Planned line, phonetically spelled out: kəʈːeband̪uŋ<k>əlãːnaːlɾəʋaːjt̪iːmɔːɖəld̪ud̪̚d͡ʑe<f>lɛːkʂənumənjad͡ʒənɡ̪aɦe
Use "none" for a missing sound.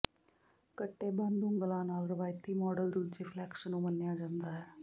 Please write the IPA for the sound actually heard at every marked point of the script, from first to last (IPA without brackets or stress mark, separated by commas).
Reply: ɡ, f